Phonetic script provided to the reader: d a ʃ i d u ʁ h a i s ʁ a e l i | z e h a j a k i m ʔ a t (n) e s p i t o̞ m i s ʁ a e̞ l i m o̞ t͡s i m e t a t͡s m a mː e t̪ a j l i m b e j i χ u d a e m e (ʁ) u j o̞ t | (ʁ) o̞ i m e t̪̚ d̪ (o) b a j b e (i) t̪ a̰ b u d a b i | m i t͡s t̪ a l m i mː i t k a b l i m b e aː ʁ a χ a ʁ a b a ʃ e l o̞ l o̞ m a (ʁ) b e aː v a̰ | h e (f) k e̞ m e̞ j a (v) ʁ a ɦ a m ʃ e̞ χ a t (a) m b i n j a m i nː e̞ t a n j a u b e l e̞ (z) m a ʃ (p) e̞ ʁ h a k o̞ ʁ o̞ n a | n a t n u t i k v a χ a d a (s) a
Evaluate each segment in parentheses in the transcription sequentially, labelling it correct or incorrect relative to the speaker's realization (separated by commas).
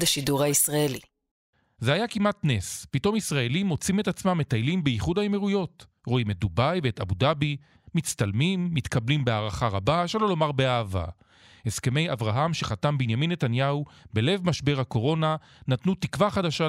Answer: correct, correct, correct, incorrect, incorrect, correct, incorrect, correct, correct, incorrect, incorrect, incorrect